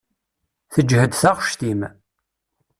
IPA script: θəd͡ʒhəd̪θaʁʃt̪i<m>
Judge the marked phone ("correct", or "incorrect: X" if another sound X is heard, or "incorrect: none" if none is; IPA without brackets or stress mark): correct